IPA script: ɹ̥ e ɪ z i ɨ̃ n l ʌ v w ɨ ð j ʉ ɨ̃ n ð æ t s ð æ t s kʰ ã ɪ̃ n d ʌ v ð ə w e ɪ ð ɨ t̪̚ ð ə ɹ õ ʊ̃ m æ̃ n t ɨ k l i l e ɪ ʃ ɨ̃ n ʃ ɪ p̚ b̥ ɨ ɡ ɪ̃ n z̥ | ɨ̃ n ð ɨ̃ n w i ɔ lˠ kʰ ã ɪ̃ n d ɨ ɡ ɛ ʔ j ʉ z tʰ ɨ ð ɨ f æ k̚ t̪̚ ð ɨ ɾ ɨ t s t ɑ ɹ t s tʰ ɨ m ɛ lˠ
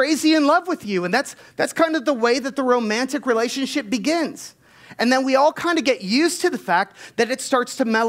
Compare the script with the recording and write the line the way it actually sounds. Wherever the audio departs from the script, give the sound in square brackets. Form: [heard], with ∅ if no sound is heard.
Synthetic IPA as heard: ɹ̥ e ɪ z i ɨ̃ n l ʌ v w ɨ ð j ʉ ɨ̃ n ð æ t s ð æ t s kʰ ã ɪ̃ n d ʌ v ð ə w e ɪ ð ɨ t̪̚ ð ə ɹ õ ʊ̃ m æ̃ n t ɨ k [ɹ] i l e ɪ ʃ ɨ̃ n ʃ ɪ p̚ b̥ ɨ ɡ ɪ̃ n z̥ | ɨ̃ n ð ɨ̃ n w i ɔ lˠ kʰ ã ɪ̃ n d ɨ ɡ ɛ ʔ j ʉ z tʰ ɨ ð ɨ f æ k̚ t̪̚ ð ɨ ɾ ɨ t s t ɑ ɹ t s tʰ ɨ m ɛ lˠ